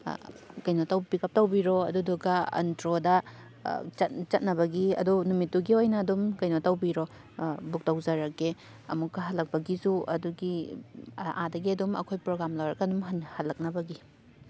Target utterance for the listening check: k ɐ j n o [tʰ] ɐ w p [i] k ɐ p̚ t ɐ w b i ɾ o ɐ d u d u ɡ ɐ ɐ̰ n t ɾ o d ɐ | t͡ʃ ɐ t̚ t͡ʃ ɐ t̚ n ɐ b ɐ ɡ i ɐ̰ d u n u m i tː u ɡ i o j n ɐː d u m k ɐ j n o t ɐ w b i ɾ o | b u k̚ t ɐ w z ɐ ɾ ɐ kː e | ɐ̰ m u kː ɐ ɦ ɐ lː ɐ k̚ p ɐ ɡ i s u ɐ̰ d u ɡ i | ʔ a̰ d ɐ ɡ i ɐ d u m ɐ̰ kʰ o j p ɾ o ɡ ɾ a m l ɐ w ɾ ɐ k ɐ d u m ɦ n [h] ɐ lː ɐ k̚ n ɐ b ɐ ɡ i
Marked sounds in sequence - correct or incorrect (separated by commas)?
incorrect, correct, correct